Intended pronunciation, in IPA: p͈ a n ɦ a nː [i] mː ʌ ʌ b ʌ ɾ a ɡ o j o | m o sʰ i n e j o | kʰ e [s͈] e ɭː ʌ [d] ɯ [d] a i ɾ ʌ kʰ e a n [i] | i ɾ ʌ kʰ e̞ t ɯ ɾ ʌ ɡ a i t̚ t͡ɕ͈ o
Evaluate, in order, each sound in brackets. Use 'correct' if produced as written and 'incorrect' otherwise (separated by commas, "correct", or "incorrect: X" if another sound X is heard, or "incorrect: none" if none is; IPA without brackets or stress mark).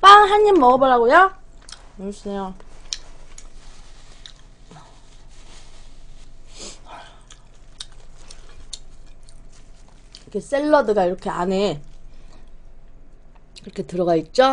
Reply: correct, correct, correct, incorrect: ɡ, incorrect: e